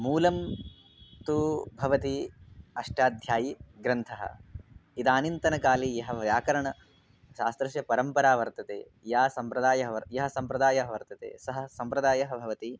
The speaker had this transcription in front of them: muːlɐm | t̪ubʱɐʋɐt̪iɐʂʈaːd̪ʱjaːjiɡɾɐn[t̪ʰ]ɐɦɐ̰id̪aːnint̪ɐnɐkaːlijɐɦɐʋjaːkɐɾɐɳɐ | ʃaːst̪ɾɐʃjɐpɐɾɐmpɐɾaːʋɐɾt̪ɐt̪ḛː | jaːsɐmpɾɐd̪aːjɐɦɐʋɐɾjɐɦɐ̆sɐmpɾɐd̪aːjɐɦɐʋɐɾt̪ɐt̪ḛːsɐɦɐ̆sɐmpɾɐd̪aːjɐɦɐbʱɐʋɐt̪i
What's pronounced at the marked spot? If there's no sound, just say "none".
t̪ʰ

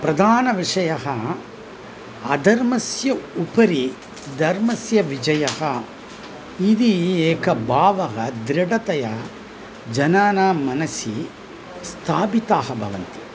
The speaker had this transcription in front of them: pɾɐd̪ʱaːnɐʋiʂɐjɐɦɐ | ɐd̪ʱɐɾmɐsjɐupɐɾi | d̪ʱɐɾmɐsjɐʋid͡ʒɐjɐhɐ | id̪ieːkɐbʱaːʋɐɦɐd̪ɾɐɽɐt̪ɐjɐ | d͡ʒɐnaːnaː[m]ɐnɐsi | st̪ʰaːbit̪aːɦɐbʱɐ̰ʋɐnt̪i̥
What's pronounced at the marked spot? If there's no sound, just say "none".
m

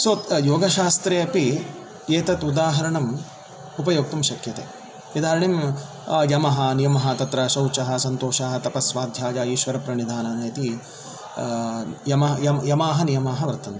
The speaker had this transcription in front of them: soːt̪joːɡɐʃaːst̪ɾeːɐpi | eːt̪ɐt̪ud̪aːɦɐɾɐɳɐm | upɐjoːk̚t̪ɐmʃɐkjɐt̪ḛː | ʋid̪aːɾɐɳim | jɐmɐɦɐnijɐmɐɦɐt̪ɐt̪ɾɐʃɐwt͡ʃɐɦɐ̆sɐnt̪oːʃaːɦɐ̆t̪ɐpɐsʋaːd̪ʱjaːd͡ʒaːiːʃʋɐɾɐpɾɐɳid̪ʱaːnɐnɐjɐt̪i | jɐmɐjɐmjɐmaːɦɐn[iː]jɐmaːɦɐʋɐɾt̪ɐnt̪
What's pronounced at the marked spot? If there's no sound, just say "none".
i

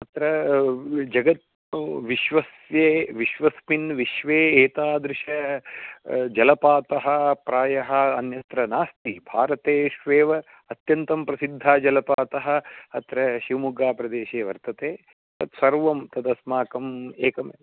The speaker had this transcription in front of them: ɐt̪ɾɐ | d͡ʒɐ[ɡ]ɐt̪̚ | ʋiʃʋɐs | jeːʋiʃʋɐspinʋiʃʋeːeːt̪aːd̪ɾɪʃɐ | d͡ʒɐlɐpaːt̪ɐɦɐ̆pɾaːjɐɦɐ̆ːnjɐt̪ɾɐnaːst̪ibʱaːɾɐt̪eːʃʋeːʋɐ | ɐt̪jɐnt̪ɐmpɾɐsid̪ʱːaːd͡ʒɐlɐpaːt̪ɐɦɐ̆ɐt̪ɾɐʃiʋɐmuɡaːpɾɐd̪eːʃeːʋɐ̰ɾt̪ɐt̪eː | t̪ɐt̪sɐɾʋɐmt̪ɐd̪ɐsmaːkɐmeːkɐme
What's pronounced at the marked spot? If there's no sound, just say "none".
ɡ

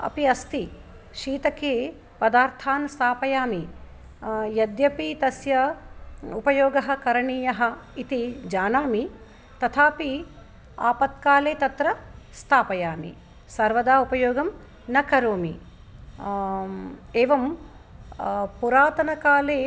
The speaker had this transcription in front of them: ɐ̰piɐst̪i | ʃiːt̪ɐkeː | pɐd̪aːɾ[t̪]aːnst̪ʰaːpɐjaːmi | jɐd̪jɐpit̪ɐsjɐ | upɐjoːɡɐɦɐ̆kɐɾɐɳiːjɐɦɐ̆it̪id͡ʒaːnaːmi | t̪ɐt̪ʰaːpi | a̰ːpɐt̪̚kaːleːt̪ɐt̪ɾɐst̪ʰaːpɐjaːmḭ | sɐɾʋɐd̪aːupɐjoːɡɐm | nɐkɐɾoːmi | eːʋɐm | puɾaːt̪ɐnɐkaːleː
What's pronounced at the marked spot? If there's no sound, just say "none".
t̪ʰ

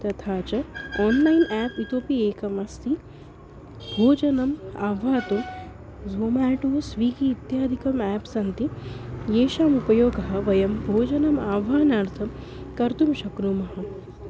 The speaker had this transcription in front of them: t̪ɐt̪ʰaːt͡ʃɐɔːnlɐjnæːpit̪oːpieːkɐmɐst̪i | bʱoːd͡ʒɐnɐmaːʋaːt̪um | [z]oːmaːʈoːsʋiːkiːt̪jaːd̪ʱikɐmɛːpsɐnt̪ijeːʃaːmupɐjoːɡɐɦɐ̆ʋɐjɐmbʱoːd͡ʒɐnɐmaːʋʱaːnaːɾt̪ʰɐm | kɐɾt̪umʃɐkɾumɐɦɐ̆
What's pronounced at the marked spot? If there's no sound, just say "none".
z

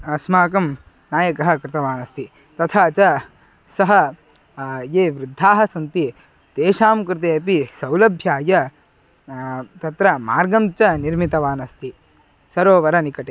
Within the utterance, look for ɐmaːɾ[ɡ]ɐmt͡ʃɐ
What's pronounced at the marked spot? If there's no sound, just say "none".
ɡ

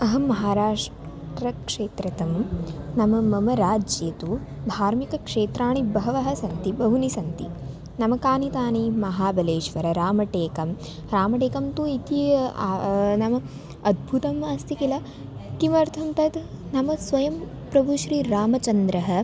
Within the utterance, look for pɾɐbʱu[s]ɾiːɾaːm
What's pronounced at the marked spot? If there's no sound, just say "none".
ʃ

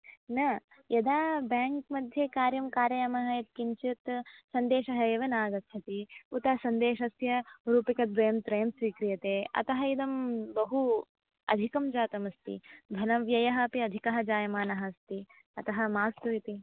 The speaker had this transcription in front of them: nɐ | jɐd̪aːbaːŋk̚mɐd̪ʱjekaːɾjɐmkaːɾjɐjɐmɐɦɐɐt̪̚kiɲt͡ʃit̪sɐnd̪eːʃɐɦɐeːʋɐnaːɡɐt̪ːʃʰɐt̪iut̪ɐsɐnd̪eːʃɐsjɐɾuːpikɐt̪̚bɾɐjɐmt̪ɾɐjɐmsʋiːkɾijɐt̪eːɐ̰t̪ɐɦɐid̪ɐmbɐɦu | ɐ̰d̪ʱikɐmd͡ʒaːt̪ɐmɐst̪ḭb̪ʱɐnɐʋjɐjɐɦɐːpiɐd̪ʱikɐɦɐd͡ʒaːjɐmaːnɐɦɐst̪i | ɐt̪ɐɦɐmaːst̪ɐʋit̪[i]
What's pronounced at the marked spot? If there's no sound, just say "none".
i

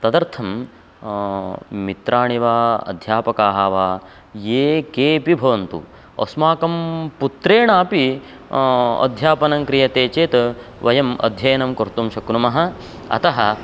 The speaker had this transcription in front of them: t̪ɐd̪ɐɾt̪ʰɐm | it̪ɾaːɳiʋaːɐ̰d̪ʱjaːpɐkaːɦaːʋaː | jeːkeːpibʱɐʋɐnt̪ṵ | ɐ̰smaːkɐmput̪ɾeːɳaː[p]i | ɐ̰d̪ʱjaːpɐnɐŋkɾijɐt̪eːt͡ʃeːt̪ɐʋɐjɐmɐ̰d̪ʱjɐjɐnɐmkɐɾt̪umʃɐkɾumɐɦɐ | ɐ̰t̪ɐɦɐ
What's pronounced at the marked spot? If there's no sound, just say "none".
p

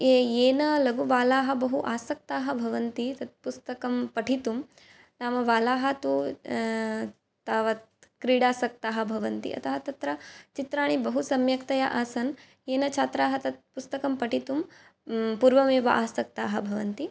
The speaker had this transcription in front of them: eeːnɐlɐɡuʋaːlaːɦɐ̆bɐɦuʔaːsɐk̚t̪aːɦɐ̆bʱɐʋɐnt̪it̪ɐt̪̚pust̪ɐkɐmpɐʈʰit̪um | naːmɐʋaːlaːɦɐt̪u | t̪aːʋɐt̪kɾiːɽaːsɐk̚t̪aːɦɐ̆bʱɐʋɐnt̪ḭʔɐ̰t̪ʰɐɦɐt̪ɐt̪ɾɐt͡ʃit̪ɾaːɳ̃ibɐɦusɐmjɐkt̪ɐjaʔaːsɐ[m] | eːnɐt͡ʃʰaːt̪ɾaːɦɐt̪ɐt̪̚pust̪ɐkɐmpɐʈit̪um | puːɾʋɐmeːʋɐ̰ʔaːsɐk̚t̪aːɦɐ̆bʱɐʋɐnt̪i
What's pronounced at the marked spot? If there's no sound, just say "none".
n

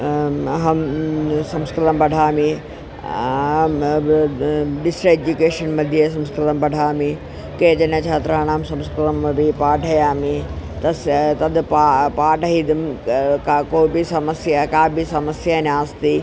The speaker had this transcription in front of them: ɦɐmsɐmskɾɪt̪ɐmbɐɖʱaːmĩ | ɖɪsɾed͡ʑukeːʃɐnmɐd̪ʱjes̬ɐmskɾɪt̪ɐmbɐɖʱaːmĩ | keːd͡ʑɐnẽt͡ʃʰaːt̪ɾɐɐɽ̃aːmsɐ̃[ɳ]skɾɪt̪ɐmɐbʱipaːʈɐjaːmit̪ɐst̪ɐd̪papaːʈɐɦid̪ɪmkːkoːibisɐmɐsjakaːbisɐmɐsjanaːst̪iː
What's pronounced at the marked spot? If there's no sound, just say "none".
m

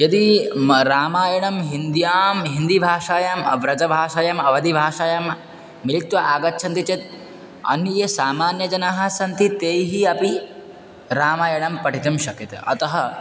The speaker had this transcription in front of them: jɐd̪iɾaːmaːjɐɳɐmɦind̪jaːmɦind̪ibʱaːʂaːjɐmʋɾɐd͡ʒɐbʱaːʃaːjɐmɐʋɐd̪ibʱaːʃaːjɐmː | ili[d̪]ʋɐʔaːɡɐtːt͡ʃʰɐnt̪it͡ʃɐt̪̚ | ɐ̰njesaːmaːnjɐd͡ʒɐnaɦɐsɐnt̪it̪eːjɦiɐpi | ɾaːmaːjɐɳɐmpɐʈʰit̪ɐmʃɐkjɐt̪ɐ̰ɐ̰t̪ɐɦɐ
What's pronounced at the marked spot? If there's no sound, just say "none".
t̪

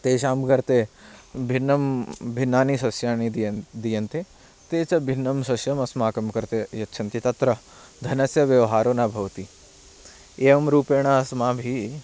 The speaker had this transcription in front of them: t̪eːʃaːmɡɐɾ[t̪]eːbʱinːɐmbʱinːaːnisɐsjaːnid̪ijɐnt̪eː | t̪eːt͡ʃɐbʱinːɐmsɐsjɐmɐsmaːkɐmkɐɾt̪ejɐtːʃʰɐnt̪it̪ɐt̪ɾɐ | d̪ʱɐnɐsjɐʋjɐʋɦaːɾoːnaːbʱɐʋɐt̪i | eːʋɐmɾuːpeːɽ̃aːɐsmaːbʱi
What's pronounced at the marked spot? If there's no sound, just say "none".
t̪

